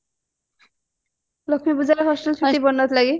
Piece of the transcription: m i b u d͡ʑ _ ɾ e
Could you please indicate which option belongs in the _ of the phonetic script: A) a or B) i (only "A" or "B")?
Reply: A